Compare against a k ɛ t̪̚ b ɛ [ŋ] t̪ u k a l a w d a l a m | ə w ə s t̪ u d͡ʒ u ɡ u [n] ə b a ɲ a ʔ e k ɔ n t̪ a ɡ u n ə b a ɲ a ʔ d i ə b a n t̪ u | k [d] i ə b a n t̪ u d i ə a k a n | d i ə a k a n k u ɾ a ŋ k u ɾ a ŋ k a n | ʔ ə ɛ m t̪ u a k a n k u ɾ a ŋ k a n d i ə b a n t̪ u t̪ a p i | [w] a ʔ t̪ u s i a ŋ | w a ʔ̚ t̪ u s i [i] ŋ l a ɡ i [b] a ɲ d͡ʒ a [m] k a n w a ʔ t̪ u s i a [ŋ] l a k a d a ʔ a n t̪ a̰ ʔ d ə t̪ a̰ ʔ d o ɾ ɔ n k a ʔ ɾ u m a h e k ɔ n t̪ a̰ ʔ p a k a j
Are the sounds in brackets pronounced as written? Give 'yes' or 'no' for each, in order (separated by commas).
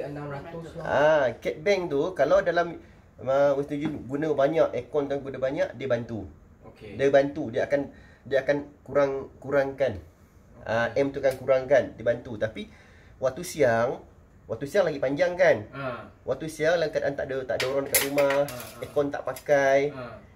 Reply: yes, yes, yes, yes, no, no, no, yes